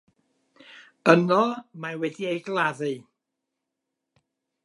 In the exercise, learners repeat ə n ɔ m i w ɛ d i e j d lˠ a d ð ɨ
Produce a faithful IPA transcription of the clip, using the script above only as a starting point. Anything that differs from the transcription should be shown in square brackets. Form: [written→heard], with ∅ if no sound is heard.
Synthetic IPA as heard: ə n ɔ m [i→a] w ɛ d i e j [d→ɡ] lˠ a [d→∅] ð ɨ